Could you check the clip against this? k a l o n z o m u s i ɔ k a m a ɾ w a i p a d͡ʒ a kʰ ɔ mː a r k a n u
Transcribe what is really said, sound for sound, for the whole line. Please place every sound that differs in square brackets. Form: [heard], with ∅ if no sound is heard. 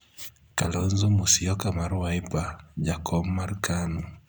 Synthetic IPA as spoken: k a l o n z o m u s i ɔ k a m a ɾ w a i p a d͡ʒ a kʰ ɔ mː a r k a n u